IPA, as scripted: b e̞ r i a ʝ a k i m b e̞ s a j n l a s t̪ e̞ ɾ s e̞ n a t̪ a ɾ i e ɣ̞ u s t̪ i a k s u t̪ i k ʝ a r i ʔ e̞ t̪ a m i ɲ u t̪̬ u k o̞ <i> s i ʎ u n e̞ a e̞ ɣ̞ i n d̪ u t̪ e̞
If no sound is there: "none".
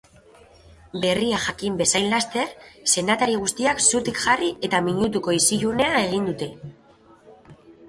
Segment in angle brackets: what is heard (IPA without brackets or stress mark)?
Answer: i